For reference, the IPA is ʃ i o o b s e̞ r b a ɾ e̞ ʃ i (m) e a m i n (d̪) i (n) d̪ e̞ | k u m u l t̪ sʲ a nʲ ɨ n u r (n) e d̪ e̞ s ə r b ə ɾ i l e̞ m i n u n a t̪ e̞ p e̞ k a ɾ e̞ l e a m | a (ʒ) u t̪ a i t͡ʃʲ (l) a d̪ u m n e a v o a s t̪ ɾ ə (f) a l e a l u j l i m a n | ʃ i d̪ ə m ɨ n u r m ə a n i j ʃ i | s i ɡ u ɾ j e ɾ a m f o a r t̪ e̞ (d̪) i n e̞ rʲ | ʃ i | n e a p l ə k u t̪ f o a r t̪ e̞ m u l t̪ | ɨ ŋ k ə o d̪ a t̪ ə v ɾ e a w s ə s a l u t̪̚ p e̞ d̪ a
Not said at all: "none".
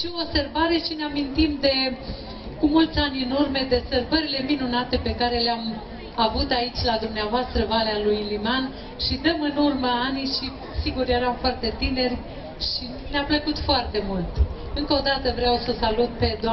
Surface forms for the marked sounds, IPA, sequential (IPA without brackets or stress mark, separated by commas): n, t̪, m, m, v, l, v, t̪